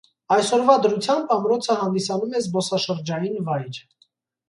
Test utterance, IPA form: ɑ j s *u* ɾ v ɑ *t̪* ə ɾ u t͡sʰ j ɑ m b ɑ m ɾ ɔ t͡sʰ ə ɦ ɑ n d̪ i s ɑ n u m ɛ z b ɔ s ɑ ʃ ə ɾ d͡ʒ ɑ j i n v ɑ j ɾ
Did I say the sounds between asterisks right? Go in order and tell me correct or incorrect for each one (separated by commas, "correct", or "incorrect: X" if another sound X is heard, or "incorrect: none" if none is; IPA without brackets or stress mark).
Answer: incorrect: ɔ, incorrect: d̪